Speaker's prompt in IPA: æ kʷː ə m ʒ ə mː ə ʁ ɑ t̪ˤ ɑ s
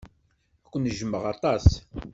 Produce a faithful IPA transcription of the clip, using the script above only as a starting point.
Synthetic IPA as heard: æ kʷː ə n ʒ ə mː ə ʁ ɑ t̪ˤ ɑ s